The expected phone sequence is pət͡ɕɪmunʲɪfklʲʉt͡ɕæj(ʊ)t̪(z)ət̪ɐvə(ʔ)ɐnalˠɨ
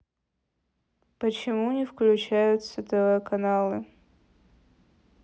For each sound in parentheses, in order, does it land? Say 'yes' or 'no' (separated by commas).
yes, no, no